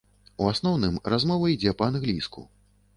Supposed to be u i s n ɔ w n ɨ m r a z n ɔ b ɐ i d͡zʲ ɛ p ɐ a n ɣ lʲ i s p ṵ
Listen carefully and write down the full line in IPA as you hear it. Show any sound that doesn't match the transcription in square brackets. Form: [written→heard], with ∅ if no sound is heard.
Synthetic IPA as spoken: u [i→a] s n ɔ w n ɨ m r a z [n→m] ɔ [b→v] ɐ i d͡zʲ ɛ p ɐ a n ɣ lʲ i s [p→k] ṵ